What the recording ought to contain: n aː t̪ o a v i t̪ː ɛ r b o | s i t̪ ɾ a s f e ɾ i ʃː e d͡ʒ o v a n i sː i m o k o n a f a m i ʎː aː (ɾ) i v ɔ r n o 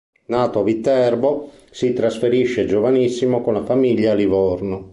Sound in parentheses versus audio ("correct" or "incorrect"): incorrect